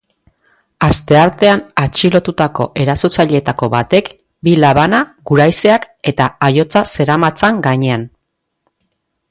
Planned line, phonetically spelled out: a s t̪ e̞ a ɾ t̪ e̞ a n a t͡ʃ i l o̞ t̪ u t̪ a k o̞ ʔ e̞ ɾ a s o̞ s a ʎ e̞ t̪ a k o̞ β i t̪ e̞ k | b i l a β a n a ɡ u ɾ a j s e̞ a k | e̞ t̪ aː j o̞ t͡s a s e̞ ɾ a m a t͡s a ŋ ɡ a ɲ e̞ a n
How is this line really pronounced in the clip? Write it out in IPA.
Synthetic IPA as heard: a s t̪ e̞ a ɾ t̪ e̞ a n a t͡ʃ i l o̞ t̪ u t̪ a k o̞ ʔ e̞ ɾ a s o̞ t͡s a ʎ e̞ t̪ a k o̞ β a t̪ e̞ k | b i l a β a n a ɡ u ɾ a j s e̞ a k | e̞ t̪ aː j o̞ t͡s a s e̞ ɾ a m a t͡s a ŋ ɡ a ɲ e̞ a n